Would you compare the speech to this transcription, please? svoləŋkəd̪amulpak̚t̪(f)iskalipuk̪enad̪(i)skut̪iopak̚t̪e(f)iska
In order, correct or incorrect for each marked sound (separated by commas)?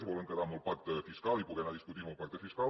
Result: correct, correct, correct